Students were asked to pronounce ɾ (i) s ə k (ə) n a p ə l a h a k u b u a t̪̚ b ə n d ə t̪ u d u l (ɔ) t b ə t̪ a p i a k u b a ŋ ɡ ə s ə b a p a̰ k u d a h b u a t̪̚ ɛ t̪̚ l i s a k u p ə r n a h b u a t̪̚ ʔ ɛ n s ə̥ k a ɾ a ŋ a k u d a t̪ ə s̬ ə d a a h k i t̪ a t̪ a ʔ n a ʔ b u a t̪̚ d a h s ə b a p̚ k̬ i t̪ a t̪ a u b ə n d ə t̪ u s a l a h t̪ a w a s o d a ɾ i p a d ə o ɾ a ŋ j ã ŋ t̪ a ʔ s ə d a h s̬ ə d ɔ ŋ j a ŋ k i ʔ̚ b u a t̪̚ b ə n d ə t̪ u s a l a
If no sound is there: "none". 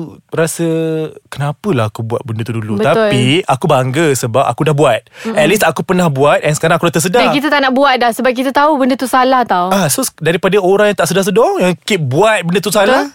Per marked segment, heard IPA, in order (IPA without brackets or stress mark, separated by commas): a, ə, u